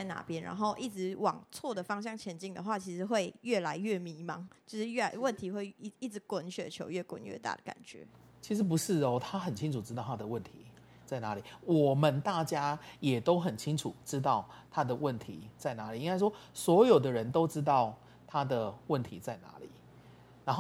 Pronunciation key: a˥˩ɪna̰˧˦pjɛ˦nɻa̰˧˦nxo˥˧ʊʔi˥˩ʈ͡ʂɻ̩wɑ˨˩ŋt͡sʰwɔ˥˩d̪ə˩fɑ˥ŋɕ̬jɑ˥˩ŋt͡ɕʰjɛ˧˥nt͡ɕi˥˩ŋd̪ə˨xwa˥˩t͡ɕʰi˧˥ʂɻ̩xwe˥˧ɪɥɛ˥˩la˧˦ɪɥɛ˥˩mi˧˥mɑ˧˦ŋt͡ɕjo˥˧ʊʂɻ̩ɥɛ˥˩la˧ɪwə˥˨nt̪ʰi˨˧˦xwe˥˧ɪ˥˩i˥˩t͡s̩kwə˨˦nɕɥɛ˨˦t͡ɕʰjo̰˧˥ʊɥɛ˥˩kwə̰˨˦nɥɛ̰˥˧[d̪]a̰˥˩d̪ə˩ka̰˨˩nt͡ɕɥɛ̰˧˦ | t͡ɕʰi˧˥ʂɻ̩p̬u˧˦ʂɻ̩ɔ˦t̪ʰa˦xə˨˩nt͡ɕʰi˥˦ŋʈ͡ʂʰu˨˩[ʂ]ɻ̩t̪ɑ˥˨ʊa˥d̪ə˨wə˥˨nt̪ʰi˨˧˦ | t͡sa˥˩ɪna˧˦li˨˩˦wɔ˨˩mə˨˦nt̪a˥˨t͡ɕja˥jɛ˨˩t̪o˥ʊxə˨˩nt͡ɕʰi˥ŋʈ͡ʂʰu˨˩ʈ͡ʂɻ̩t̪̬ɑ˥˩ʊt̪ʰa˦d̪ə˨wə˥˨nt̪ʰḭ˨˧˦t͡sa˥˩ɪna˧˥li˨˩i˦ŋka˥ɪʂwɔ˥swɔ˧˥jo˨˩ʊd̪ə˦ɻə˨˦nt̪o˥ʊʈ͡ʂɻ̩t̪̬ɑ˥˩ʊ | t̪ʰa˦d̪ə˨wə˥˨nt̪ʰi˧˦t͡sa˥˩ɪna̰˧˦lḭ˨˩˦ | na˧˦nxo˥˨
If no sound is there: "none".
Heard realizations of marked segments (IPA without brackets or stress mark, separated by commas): t̪, ʈ͡ʂ